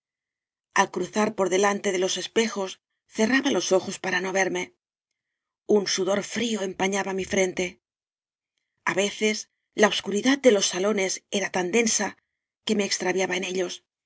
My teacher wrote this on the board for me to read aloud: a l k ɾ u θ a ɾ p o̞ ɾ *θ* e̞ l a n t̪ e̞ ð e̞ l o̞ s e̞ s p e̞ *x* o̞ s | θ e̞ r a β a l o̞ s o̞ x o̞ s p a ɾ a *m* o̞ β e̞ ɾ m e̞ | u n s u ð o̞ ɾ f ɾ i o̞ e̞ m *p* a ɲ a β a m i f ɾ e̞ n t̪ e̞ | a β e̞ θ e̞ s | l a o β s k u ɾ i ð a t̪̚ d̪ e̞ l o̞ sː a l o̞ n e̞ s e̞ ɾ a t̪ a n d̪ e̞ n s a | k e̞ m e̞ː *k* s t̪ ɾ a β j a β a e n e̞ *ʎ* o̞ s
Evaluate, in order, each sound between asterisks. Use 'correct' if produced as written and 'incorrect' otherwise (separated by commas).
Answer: incorrect, correct, incorrect, correct, correct, correct